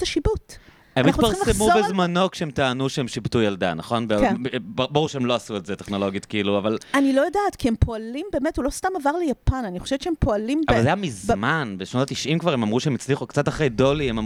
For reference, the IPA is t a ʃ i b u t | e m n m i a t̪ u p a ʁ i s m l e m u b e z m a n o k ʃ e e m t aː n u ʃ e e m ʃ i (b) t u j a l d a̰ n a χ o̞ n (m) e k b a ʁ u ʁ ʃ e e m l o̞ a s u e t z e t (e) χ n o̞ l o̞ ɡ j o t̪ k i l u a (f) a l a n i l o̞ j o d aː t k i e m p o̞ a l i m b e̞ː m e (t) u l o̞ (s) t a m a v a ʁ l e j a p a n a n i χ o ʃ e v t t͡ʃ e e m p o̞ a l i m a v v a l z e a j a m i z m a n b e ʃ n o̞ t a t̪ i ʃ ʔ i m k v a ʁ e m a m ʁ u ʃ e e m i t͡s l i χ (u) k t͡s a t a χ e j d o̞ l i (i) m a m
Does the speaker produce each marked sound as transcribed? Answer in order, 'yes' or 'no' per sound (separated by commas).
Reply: yes, no, yes, no, yes, yes, yes, no